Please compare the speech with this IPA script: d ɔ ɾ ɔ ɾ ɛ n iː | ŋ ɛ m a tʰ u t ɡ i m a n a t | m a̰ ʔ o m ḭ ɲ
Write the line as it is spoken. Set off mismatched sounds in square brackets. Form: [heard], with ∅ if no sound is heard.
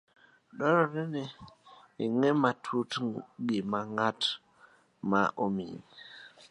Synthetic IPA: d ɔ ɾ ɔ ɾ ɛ n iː | ŋ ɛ m a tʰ u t ɡ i m a [ŋ] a t | m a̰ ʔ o m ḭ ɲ